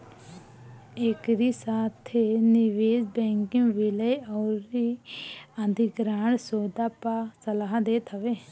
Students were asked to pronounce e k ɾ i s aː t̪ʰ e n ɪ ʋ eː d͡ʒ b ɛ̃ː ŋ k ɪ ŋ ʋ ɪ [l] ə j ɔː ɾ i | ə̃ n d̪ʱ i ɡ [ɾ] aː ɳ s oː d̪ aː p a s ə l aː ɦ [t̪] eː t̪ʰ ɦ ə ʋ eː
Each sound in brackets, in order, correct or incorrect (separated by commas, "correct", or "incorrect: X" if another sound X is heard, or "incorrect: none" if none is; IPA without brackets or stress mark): correct, correct, incorrect: d̪